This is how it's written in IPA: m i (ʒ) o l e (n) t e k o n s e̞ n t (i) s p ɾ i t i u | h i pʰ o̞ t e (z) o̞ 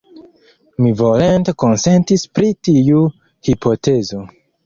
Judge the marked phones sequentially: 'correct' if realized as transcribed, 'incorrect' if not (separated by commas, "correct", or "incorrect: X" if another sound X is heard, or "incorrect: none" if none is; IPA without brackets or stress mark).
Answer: incorrect: v, correct, correct, correct